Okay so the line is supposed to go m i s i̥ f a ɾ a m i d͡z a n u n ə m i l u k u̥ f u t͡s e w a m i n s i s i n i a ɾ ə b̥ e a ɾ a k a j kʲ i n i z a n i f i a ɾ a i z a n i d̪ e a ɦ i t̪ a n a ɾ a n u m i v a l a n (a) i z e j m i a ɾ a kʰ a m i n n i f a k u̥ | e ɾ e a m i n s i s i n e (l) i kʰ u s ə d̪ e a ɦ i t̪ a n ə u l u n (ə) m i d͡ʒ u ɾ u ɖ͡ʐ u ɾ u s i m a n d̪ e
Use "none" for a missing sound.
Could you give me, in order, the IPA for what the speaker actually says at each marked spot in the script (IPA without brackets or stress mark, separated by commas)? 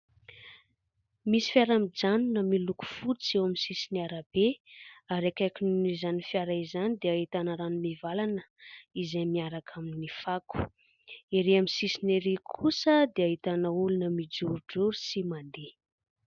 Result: ə, ɾ, ə